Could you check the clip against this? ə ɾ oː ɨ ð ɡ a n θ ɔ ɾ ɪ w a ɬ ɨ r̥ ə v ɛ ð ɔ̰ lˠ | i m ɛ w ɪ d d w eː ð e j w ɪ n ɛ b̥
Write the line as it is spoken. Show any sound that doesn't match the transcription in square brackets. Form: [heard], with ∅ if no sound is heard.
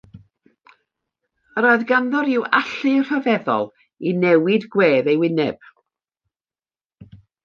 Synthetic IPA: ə ɾ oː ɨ ð ɡ a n [ð] ɔ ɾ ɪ w a ɬ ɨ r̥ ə v ɛ ð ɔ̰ lˠ | i [n] ɛ w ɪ d [ɡ] w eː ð e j w ɪ n ɛ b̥